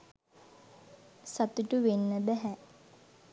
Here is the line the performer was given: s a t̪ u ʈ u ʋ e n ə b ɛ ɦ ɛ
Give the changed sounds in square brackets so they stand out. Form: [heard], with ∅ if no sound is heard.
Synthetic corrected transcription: s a t̪ u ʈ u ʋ e [nː] ə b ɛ ɦ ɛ